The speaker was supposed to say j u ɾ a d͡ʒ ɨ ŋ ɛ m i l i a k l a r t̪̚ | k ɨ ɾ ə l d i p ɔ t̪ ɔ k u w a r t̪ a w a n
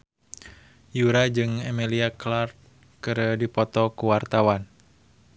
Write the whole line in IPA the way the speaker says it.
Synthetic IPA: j u ɾ a d͡ʒ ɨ ŋ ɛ m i l i a k l a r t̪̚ | k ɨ ɾ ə d i p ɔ t̪ ɔ k u w a r t̪ a w a n